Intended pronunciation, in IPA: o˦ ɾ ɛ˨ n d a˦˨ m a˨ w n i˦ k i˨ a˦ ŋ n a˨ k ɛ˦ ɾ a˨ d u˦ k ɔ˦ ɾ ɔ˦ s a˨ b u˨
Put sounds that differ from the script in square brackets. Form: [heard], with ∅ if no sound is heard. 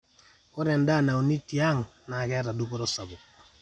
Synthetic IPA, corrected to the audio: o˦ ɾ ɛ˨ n d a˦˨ [n] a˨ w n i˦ [t] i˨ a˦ ŋ n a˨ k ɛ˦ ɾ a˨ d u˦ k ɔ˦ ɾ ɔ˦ s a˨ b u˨